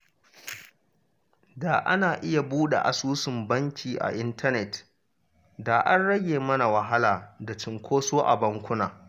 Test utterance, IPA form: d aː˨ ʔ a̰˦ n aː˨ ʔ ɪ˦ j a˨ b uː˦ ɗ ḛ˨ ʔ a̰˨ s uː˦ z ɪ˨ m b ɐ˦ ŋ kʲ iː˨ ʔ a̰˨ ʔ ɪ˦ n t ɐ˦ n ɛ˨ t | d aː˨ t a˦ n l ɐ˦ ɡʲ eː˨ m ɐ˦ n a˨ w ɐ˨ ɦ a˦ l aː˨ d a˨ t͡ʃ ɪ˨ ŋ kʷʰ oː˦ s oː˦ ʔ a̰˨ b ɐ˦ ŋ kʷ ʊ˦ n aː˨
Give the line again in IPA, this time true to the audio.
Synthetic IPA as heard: d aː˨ ʔ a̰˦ n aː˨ ʔ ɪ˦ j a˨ b uː˦ ɗ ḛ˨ ʔ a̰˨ s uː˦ s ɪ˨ m b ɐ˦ ŋ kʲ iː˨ ʔ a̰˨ ʔ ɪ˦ n t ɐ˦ n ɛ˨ t | d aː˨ ʔ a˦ n ɽ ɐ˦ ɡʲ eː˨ m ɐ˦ n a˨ w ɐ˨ ɦ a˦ l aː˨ d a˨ t͡ʃ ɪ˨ ŋ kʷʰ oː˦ s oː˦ ʔ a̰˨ b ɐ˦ ŋ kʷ ʊ˦ n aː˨